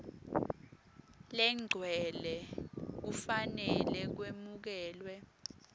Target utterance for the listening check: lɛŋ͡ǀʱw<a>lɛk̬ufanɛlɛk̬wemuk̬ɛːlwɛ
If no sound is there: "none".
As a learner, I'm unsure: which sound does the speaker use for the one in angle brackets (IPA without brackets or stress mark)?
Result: ɛ